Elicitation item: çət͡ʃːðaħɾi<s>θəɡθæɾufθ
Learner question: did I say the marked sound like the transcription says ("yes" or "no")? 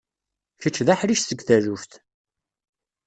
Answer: no